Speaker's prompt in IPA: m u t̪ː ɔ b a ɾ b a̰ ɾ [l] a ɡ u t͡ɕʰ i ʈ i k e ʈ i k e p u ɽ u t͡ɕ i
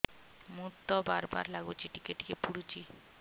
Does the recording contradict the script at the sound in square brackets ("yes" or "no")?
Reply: no